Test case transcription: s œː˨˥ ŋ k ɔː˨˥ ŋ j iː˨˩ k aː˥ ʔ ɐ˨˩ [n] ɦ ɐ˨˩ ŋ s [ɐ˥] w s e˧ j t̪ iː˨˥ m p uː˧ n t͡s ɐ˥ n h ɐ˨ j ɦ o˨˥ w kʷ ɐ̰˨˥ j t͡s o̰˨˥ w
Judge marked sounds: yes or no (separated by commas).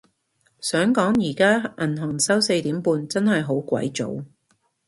yes, yes